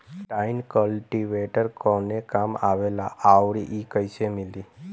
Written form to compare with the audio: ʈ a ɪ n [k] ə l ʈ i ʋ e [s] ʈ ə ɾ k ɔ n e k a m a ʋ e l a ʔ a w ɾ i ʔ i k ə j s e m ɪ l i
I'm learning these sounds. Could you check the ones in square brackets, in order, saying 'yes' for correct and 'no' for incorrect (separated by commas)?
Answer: yes, no